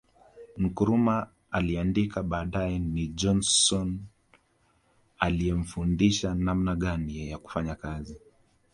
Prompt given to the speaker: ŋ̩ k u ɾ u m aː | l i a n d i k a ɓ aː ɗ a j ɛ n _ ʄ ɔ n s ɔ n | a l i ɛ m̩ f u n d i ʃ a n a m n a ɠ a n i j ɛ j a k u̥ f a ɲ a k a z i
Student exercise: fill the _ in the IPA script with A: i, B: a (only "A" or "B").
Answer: A